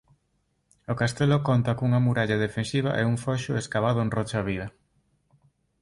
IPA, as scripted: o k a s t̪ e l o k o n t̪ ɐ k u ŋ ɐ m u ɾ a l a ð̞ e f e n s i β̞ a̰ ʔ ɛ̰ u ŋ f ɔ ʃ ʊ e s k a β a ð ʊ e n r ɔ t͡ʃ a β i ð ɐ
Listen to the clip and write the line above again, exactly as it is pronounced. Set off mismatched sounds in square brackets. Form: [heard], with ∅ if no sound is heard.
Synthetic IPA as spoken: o k a s t̪ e l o k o n t̪ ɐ k u ŋ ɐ m u ɾ a [ʎ] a ð̞ e f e n s i β̞ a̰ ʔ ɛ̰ u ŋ f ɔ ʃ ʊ e s k a β a ð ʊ e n r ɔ t͡ʃ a β i ð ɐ